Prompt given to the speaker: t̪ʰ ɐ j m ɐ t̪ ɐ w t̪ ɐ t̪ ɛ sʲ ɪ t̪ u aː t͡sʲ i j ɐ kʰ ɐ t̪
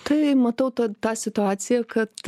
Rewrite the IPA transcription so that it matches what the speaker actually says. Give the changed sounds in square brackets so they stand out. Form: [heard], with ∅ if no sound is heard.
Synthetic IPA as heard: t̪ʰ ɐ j m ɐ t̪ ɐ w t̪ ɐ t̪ [a] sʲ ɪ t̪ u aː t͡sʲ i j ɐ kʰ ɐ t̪